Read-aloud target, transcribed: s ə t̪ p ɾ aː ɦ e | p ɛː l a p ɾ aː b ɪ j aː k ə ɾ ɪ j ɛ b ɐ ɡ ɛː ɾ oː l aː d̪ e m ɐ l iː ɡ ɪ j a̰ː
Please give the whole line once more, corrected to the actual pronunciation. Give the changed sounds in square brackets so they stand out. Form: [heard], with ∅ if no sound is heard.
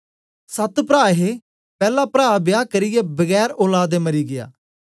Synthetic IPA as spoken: s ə t̪ p ɾ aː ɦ e | p ɛː l a p ɾ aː b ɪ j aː k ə ɾ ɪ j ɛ b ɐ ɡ ɛː ɾ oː l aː d̪ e m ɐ [ɾ] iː ɡ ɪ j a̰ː